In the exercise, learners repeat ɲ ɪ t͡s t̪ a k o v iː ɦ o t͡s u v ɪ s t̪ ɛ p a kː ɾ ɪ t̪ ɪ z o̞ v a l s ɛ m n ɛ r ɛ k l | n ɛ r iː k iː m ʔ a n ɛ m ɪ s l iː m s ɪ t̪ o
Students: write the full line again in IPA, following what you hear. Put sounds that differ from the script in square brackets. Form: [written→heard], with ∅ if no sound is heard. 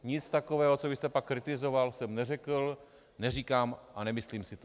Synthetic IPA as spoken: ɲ ɪ t͡s t̪ a k o v [iː→ɛː] ɦ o t͡s [u→o] v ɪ s t̪ ɛ p a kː ɾ ɪ t̪ ɪ z o̞ v a l s ɛ m n ɛ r ɛ k l | n ɛ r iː k [iː→aː] m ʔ a n ɛ m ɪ s l iː m s ɪ t̪ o